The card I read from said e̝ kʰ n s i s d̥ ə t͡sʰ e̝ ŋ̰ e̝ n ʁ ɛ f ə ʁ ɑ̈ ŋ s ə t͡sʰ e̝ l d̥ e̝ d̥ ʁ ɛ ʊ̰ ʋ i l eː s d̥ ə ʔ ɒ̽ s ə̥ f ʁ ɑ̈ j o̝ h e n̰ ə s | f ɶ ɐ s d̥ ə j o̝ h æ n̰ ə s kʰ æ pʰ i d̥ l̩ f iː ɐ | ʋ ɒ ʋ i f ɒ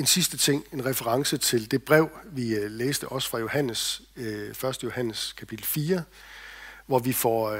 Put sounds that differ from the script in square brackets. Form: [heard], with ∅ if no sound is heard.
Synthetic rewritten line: e̝ [∅] n s i s d̥ ə t͡sʰ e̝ ŋ̰ e̝ n ʁ ɛ f ə ʁ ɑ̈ ŋ s ə t͡sʰ e̝ l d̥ e̝ [b̥] ʁ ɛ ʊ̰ ʋ i l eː s d̥ ə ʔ ɒ̽ s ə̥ f ʁ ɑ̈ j o̝ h [æ] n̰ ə s | f ɶ ɐ s d̥ ə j o̝ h æ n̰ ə s kʰ æ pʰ i d̥ l̩ f iː ɐ | ʋ ɒ ʋ i f ɒ